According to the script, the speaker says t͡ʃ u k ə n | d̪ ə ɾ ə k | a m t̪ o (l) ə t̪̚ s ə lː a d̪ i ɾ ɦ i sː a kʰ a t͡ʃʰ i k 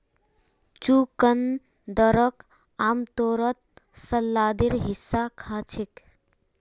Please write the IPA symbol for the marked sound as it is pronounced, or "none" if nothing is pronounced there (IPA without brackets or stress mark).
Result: ɾ